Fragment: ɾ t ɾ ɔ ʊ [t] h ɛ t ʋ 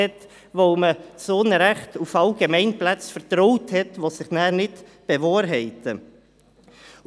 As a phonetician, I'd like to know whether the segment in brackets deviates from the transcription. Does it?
no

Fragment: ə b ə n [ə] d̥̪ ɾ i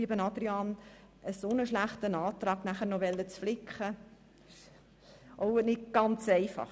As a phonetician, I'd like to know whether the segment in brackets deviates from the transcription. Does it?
yes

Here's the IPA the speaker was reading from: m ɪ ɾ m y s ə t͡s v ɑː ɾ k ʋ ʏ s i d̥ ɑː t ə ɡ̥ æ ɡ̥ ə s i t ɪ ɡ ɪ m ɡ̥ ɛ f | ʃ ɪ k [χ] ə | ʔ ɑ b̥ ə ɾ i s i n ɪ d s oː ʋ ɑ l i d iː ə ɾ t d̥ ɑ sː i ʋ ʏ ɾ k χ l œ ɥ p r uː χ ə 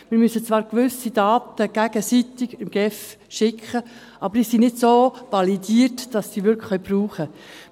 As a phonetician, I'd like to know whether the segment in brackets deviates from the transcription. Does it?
no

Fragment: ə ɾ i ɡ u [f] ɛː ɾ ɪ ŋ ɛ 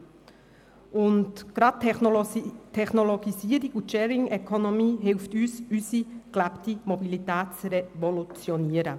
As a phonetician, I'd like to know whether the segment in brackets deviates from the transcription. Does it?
yes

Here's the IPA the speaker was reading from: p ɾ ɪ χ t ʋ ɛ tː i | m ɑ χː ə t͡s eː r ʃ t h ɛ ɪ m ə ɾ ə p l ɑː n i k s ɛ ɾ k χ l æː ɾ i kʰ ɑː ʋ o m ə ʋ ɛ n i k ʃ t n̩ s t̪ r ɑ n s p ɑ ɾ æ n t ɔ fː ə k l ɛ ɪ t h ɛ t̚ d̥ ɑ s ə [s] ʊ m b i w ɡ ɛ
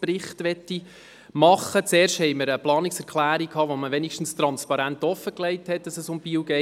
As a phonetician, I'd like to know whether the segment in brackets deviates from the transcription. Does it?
no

